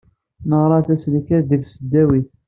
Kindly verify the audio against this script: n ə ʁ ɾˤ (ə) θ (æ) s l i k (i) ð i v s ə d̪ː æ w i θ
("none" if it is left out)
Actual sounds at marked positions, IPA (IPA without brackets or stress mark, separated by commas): ɑ, æ, æ